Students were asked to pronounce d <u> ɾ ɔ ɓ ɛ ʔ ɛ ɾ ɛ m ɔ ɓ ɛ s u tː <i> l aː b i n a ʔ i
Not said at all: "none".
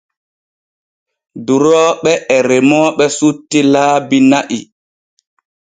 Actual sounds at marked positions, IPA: u, i

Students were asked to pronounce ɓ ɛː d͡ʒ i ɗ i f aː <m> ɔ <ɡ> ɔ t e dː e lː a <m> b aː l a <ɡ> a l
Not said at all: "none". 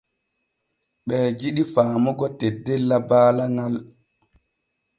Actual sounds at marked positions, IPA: m, ɡ, none, ŋ

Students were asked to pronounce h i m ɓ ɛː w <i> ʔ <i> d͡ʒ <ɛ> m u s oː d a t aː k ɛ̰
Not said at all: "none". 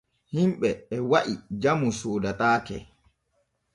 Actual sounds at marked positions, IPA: a, i, a

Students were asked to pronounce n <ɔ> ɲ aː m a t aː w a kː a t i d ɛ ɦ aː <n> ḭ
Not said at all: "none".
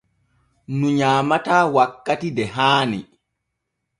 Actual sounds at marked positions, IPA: u, n

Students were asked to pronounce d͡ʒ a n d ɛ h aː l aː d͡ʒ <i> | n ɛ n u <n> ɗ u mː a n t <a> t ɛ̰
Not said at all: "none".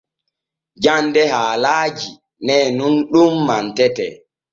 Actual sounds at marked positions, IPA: i, n, ɛ

